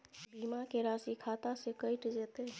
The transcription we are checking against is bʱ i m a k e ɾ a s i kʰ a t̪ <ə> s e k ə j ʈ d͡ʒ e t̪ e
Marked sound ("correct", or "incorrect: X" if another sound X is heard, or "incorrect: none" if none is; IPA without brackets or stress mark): incorrect: a